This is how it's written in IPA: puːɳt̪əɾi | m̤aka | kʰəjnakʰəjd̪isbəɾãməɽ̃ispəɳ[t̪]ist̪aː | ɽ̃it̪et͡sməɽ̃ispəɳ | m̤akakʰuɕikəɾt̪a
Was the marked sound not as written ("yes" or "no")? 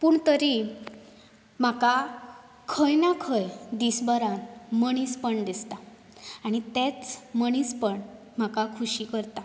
yes